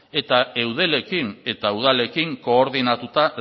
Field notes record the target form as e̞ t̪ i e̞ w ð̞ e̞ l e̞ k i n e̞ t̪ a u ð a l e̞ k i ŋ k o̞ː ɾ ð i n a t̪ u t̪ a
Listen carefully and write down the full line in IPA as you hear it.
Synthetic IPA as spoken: e̞ t̪ a e̞ w ð̞ e̞ l e̞ k i n e̞ t̪ a u ð a l e̞ k i ŋ k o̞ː ɾ ð i n a t̪ u t̪ a